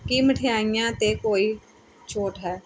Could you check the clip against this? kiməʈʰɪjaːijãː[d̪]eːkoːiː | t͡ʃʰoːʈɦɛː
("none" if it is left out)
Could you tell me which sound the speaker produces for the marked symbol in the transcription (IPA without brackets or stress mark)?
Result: t̪